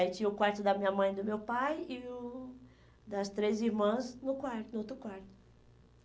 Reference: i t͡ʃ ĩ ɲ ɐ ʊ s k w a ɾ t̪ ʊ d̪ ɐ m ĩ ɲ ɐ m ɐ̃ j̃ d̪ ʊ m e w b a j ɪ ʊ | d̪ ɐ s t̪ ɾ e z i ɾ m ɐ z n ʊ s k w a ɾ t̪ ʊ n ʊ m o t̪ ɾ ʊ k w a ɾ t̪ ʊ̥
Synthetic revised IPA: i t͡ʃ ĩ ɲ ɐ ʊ k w a ɾ t̪ ʊ d̪ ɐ m ĩ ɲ ɐ m ɐ̃ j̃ d̪ ʊ m e w p a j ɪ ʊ | d̪ ɐ s t̪ ɾ e z i ɾ m ɐ̃ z n ʊ k w a ɾ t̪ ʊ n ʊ o t̪ ɾ ʊ k w a ɾ t̪ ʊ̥